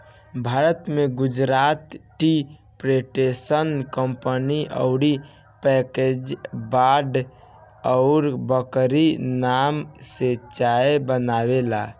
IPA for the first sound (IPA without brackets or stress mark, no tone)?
bʱ